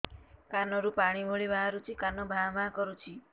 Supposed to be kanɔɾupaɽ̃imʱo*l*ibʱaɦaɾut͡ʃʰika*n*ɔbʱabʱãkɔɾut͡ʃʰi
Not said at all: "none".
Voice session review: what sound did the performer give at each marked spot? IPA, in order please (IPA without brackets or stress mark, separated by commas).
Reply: ɭ, n